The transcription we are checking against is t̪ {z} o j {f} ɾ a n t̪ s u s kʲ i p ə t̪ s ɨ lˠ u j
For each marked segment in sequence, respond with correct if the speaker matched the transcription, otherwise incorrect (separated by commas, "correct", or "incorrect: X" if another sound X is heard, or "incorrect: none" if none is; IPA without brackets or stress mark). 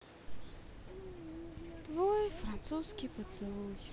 incorrect: v, correct